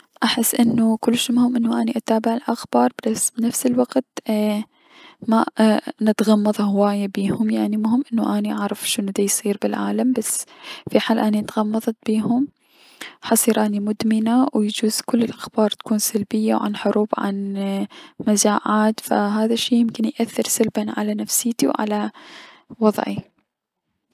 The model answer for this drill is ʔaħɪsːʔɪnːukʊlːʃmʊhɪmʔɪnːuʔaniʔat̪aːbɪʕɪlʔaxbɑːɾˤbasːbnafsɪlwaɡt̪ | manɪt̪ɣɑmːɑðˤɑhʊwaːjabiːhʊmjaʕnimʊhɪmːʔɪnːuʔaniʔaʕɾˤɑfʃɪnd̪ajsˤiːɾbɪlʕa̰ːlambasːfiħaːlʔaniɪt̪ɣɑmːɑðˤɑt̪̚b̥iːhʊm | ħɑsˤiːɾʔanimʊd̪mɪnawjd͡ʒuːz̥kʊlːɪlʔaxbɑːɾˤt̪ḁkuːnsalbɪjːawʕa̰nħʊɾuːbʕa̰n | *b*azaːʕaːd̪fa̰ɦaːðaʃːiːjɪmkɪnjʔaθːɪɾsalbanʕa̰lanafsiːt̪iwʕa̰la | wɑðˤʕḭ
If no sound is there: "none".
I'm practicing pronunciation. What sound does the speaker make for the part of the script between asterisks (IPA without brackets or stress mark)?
m